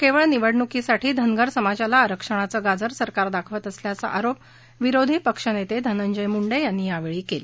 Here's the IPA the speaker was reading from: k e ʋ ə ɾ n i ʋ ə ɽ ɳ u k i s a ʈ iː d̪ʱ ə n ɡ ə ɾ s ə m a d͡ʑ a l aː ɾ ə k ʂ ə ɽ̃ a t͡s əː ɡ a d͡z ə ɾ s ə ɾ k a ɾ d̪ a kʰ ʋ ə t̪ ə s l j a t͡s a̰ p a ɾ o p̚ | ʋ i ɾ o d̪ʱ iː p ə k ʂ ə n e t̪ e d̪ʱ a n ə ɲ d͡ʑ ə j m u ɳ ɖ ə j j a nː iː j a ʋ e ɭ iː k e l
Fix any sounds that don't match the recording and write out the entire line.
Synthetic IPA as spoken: k e ʋ ə ɭ n i ʋ ə ɽ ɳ u k i s a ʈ iː d̪ʱ ə n ɡ ə ɾ s ə m a d͡ʑ a l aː ɾ ə k ʂ ə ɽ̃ a t͡s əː ɡ a d͡z ə ɾ s ə ɾ k a ɾ d̪ a kʰ ʋ ə t̪ ə s l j a t͡s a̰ ʔ a ɾ o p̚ | ʋ i ɾ o d̪ʱ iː p ə k ʂ ə n e t̪ e d̪ʱ ə n ə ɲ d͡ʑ ə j m u ɳ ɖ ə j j a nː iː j a ʋ e ɭ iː k e l